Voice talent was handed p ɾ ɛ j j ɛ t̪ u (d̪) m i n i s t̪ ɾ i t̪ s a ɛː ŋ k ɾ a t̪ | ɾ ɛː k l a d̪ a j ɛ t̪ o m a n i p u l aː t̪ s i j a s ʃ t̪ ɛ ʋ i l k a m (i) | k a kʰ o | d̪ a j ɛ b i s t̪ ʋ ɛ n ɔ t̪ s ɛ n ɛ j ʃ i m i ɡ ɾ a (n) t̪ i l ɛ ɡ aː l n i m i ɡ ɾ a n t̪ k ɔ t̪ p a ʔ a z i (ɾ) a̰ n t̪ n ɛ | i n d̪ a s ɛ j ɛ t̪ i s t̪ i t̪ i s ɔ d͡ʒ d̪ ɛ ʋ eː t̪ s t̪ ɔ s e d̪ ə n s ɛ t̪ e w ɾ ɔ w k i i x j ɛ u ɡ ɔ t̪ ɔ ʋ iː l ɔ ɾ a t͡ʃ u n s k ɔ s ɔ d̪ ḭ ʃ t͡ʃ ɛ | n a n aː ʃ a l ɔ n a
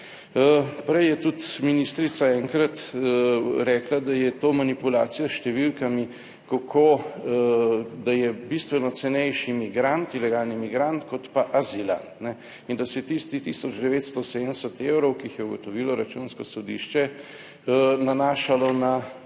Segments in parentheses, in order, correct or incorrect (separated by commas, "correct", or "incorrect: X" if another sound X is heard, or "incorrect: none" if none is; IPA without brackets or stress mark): incorrect: t̪, correct, correct, incorrect: l